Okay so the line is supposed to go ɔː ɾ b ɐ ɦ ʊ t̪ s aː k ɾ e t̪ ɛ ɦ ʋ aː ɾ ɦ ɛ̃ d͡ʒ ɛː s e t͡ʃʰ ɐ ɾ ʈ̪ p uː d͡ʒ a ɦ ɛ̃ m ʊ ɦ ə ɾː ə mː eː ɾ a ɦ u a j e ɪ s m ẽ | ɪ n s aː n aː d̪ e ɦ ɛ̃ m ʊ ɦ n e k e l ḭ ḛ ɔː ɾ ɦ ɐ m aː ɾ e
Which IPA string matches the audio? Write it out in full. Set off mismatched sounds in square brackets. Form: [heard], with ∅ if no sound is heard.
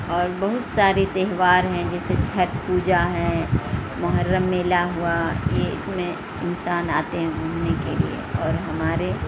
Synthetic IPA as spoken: ɔː ɾ b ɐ ɦ ʊ t̪ s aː [∅] ɾ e t̪ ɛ ɦ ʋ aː ɾ ɦ ɛ̃ d͡ʒ ɛː s e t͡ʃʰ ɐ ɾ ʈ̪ p uː d͡ʒ a ɦ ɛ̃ m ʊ ɦ ə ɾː ə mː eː [l] a ɦ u a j e ɪ s m ẽ | ɪ n s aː n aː [t̪] e ɦ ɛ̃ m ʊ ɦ n e k e l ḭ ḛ ɔː ɾ ɦ ɐ m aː ɾ e